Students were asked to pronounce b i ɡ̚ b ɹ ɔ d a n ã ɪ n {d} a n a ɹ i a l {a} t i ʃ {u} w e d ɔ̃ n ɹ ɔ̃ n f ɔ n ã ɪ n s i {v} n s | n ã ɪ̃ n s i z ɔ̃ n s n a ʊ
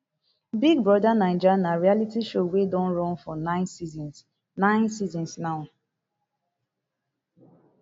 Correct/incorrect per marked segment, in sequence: incorrect, incorrect, incorrect, incorrect

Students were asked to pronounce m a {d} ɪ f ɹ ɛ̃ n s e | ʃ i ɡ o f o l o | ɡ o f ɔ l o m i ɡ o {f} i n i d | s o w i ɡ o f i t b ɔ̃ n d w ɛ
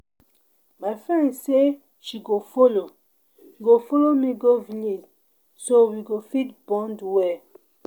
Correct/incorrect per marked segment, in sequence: incorrect, incorrect

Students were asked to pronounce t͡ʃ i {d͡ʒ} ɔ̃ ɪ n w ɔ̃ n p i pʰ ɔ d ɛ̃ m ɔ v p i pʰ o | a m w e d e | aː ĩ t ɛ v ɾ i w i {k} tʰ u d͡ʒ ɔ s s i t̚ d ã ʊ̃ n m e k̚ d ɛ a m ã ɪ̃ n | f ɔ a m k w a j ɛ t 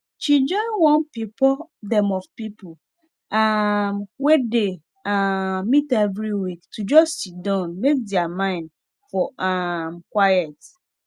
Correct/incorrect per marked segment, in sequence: correct, correct

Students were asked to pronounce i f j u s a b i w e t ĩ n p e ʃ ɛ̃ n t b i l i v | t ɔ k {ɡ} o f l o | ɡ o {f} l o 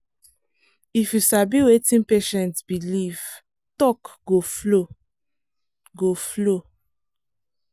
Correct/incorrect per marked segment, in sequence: correct, correct

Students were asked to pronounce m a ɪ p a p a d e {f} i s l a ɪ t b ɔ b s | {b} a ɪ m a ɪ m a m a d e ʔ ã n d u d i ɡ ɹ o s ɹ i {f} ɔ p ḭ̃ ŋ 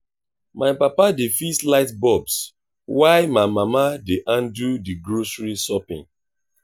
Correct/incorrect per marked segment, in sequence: correct, incorrect, incorrect

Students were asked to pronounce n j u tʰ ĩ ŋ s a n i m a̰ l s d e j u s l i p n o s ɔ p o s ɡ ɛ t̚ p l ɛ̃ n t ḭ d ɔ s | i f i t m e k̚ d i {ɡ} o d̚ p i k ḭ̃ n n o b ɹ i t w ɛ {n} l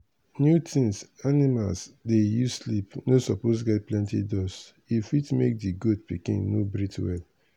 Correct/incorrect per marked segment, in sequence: correct, incorrect

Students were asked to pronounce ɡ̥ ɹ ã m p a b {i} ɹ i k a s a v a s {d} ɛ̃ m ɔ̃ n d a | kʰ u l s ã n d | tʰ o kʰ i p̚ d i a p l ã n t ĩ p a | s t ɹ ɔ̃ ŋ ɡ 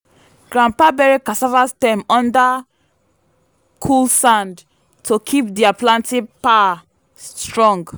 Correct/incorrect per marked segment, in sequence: incorrect, incorrect

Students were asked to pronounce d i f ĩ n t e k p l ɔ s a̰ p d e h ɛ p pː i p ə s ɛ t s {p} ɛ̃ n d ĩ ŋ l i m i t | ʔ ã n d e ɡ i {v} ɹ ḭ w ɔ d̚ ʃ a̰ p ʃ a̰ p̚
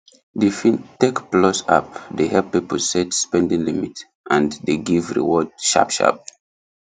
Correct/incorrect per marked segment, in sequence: correct, correct

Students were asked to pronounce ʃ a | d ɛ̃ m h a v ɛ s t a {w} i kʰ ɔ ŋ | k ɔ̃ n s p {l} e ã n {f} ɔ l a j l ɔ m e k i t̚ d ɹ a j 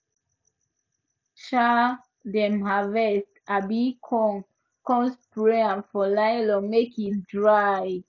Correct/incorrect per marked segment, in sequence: incorrect, incorrect, correct

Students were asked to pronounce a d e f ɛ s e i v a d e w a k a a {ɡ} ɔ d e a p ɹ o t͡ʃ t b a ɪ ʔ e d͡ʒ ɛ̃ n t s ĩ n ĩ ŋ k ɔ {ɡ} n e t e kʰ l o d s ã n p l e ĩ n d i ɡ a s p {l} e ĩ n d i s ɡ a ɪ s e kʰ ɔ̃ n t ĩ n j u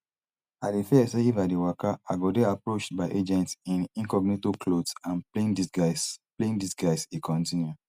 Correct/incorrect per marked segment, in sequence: correct, correct, correct

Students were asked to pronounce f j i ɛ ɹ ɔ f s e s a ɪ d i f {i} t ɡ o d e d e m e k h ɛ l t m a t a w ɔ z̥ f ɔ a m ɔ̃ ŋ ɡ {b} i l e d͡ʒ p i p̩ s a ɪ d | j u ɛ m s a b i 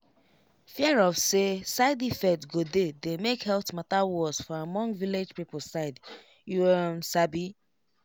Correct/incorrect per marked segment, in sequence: incorrect, incorrect

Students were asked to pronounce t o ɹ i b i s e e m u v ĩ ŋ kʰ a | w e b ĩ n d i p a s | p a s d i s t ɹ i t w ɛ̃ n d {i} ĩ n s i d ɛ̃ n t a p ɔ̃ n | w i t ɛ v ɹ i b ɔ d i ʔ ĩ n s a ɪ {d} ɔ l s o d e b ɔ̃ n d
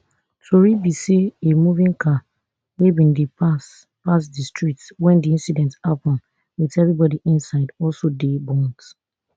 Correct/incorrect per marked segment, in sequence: correct, correct

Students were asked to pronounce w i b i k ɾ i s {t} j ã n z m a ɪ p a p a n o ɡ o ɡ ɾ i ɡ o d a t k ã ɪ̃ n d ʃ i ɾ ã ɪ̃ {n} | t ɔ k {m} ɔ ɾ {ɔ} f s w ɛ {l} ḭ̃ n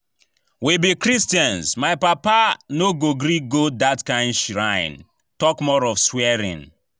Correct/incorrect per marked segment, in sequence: correct, correct, correct, correct, incorrect

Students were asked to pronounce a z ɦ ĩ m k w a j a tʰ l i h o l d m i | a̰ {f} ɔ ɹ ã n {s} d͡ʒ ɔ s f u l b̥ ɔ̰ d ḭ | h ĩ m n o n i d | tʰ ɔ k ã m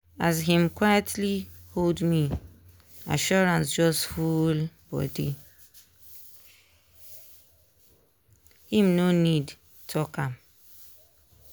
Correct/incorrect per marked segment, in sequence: incorrect, correct

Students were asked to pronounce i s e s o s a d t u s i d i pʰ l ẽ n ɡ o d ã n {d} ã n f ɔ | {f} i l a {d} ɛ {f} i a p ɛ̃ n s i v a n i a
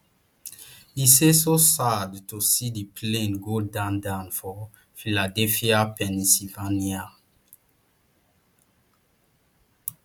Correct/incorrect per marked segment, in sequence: correct, correct, correct, correct

